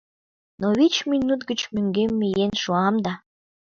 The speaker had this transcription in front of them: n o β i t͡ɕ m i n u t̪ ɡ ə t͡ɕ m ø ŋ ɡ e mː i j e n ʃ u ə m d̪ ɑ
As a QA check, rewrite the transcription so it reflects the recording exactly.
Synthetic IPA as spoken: n o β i t͡ɕ m i n u t̪ ɡ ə t͡ɕ m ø ŋ ɡ e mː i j e n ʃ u ɑ m d̪ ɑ